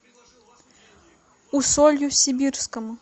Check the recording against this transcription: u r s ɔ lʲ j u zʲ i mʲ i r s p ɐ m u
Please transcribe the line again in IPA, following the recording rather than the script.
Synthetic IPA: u s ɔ lʲ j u sʲ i bʲ i r s k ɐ m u